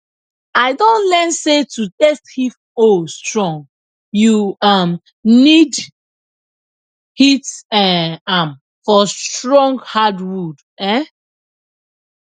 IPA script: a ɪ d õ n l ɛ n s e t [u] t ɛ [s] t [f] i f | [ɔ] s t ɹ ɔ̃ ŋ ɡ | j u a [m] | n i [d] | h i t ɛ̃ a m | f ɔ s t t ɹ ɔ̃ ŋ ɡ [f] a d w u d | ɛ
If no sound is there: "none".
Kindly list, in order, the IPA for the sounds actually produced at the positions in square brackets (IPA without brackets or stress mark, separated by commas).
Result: u, s, h, o, m, d, h